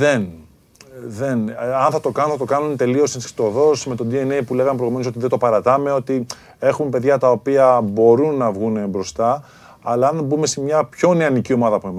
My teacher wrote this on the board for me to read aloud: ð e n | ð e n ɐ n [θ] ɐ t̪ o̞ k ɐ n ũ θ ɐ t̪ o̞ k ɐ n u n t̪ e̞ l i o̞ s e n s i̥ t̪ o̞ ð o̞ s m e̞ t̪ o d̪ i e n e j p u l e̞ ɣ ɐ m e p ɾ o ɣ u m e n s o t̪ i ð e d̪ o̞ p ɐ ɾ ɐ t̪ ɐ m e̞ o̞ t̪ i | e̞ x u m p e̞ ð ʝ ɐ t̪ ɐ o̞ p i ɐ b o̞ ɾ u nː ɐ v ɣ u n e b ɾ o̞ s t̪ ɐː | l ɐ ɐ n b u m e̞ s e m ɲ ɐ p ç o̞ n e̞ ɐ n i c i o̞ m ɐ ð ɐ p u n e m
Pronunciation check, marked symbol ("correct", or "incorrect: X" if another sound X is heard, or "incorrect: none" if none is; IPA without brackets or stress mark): correct